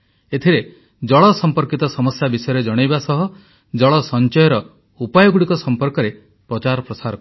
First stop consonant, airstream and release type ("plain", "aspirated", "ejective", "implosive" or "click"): aspirated